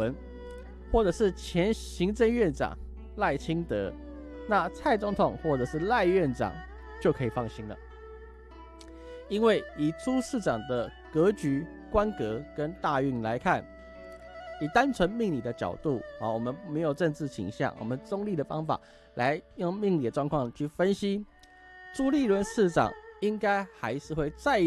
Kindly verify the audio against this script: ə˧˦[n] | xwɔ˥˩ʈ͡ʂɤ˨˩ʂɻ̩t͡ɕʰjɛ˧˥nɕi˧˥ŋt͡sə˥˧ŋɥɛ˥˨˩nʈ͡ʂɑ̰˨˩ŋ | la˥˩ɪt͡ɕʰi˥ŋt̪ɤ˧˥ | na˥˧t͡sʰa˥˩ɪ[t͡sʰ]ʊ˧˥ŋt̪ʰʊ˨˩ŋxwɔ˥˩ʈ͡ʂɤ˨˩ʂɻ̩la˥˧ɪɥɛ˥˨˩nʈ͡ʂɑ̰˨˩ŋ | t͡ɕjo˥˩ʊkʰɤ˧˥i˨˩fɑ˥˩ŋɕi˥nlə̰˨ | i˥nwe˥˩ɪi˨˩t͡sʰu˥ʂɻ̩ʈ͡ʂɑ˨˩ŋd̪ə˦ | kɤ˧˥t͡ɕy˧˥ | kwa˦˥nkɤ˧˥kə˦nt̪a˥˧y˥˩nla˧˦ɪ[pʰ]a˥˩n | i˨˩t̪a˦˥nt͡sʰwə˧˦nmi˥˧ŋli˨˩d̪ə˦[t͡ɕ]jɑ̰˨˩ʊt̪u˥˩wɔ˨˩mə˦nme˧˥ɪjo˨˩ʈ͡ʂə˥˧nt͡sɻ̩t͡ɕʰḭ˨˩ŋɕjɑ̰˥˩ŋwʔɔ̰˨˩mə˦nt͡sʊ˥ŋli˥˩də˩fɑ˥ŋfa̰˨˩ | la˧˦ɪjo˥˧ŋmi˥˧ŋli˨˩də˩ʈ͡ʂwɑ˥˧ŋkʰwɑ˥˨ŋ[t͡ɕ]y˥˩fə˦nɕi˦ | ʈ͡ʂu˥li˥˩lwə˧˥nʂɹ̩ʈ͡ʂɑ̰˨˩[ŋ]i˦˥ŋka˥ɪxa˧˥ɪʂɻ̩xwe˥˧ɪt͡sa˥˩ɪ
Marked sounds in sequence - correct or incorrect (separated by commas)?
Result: correct, incorrect, incorrect, correct, incorrect, correct